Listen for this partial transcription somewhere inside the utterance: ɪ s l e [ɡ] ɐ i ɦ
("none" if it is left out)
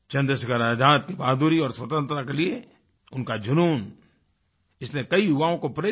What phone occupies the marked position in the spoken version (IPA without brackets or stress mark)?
k